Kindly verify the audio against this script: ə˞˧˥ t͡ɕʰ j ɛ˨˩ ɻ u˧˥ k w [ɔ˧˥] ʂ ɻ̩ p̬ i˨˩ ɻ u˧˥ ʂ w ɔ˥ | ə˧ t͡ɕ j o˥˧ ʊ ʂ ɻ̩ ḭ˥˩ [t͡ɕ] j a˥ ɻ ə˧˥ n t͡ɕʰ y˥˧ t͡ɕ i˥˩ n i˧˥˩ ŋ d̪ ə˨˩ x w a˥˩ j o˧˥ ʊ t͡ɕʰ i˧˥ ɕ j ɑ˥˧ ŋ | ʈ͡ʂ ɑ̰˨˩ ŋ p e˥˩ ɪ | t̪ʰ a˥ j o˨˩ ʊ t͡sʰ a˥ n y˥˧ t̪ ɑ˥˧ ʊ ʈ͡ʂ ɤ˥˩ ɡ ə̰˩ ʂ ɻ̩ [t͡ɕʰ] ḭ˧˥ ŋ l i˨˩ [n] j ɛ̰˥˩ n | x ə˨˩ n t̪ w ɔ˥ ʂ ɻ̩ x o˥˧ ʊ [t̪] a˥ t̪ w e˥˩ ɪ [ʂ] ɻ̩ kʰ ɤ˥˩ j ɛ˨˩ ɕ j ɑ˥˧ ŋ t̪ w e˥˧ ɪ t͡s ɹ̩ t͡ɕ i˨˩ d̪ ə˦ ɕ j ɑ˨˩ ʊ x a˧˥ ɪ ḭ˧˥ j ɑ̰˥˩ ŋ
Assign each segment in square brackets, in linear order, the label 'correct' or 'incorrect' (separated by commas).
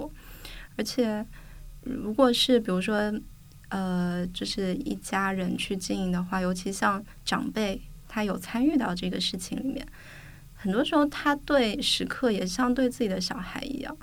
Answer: incorrect, correct, correct, incorrect, incorrect, correct